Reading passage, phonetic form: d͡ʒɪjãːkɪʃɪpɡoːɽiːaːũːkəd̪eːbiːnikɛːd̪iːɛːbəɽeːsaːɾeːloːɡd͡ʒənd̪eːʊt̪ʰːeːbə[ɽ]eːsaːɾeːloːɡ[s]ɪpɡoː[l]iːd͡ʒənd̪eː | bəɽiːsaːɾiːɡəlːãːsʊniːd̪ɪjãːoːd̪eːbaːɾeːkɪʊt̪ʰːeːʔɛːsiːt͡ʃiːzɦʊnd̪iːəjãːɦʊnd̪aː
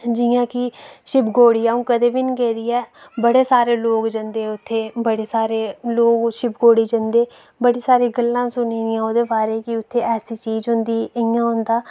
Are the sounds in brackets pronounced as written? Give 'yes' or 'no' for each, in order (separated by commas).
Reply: yes, no, no